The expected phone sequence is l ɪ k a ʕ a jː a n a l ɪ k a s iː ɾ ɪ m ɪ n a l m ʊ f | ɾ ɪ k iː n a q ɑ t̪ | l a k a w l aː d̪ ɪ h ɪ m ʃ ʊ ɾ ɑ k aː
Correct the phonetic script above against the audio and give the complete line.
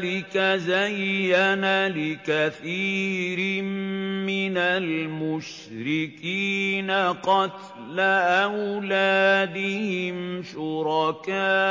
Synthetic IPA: l ɪ k a z a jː a n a l ɪ k a θ iː ɾ ɪ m ɪ n a l m ʊ ʃ | ɾ ɪ k iː n a q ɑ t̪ | l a ʔ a w l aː d̪ ɪ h ɪ m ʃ ʊ ɾ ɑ k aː